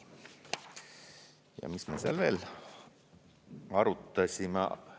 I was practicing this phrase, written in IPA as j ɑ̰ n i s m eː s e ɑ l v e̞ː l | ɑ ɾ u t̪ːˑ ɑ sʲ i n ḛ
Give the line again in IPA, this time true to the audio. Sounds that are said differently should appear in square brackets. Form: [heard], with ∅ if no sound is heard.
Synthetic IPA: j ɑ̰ [m] i s m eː s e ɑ l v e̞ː l | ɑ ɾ u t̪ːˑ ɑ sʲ i [m] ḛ